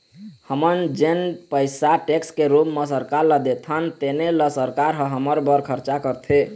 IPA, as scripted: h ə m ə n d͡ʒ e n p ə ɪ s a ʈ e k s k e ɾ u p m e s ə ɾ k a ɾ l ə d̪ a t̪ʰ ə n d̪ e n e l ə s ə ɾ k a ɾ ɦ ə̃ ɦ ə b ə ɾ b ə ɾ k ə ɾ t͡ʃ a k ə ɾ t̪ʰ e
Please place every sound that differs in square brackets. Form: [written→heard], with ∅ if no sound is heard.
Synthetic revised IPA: h ə m ə n d͡ʒ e n p ə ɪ s a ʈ e k s k e ɾ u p m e s ə ɾ k a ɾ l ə d̪ [a→e] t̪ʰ ə n [d̪→t̪] e n e l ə s ə ɾ k a ɾ ɦ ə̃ ɦ ə [b→m] ə ɾ b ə ɾ [k→kʰ] ə ɾ t͡ʃ a k ə ɾ t̪ʰ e